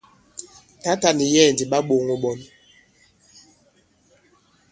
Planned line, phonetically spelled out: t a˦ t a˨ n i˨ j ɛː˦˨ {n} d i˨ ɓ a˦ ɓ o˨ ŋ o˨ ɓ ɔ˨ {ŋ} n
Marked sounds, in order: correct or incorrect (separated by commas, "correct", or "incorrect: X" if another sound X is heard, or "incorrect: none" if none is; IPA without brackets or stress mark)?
correct, incorrect: none